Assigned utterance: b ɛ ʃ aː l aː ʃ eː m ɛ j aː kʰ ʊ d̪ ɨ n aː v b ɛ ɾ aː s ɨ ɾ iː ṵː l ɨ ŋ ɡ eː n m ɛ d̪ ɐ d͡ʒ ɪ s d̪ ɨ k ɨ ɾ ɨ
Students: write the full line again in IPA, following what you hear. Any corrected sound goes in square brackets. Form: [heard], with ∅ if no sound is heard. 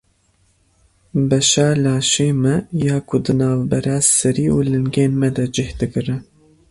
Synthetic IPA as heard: b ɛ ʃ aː l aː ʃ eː m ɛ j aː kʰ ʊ d̪ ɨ n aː v b ɛ ɾ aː s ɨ ɾ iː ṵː l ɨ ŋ ɡ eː n m ɛ d̪ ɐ d͡ʒ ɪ [h] d̪ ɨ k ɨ ɾ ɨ